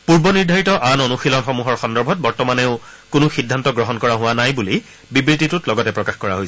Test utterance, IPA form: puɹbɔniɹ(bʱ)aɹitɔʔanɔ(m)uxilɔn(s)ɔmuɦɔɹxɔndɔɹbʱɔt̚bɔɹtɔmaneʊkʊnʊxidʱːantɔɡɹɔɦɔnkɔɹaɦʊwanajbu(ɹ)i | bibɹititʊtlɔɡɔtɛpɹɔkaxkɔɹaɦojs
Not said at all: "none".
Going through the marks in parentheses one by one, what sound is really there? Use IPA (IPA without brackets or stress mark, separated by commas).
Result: dʱ, n, x, l